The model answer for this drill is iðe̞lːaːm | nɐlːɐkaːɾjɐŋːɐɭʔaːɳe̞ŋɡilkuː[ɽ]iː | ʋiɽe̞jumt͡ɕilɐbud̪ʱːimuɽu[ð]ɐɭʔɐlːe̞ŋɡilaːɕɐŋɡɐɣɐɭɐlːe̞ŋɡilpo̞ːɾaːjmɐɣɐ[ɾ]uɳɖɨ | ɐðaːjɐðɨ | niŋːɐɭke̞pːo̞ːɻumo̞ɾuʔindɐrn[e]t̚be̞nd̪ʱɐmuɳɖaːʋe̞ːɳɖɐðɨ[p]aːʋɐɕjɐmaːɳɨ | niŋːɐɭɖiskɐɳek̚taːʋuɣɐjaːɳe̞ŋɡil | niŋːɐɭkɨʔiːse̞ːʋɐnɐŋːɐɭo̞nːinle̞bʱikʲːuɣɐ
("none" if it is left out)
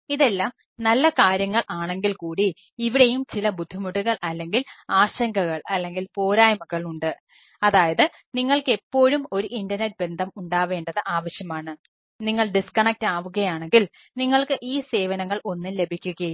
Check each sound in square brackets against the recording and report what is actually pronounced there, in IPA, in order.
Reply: ɽ, ɣ, ɭ, e, ʔ

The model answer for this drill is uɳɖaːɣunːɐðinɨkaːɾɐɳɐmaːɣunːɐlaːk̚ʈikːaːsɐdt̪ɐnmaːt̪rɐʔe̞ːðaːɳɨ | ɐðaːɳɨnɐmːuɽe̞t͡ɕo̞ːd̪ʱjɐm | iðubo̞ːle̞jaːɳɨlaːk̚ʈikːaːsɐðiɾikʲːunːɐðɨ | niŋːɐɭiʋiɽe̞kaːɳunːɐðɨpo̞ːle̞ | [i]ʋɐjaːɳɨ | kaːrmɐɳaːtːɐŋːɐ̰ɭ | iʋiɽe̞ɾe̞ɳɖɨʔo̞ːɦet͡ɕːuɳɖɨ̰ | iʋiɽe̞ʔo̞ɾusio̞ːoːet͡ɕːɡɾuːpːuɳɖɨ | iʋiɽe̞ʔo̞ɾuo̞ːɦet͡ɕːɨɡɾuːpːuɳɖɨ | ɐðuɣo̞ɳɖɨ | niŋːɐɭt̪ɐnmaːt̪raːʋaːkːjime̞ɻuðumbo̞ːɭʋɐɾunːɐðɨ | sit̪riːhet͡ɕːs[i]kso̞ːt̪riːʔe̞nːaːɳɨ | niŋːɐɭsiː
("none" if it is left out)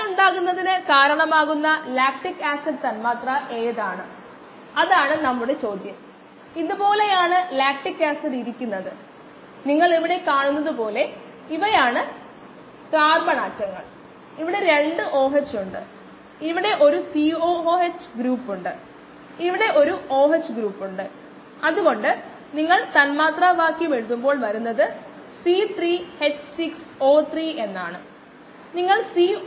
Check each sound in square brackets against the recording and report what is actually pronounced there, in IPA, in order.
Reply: i, i

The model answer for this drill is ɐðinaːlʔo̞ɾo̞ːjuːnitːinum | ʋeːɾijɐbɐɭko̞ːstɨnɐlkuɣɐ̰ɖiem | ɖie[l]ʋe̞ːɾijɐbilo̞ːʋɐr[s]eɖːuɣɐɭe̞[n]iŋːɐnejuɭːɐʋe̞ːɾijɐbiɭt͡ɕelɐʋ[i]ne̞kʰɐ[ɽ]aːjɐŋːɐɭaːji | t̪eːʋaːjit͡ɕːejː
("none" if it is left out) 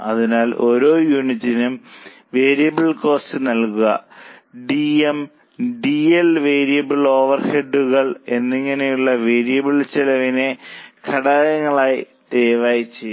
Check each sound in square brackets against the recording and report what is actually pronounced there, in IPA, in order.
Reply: l, h, nː, i, ɽ

